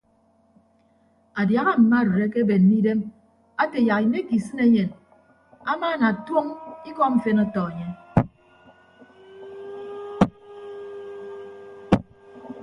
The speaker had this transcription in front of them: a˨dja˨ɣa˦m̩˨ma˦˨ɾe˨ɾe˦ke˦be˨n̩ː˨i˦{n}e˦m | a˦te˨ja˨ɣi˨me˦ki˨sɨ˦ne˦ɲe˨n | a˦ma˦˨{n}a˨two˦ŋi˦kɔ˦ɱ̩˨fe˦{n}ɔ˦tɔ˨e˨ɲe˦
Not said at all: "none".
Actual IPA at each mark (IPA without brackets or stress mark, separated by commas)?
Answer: d, n, n